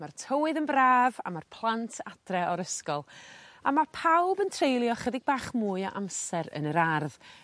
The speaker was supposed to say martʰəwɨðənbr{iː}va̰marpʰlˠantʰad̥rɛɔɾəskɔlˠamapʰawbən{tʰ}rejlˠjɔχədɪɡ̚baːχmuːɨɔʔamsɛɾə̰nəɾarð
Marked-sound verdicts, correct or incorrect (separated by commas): incorrect, correct